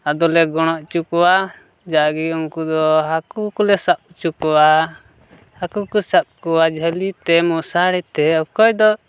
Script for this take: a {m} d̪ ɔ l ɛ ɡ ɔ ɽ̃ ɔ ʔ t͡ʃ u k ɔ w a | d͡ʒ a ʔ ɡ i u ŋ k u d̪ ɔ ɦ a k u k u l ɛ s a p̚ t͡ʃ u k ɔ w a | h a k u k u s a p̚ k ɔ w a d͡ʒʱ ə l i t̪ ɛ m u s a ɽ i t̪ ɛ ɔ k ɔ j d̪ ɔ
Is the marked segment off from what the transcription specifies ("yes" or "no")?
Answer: yes